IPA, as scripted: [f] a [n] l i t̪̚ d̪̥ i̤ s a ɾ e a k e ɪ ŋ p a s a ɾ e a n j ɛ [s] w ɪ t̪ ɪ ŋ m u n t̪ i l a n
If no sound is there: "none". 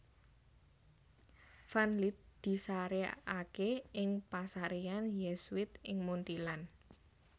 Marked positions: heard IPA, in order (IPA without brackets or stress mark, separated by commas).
f, n, s